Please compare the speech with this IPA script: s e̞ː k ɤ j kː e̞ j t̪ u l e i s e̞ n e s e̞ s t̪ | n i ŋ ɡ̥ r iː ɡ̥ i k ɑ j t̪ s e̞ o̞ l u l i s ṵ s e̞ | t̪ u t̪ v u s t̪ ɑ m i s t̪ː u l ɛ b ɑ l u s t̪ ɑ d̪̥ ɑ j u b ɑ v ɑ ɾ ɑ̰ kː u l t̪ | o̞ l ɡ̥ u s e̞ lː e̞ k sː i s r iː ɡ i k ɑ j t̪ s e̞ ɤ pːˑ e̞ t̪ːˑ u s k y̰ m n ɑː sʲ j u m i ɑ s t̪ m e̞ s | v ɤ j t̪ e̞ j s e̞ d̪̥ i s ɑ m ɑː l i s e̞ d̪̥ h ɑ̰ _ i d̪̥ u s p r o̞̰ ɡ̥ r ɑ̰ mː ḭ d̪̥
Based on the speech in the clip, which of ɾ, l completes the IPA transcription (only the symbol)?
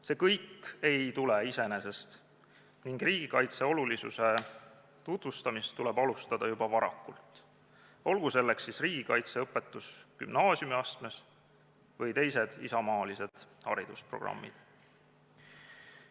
ɾ